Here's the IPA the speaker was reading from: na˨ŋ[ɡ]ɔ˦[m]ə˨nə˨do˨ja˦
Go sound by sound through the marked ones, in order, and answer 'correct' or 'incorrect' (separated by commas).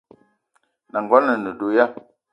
correct, incorrect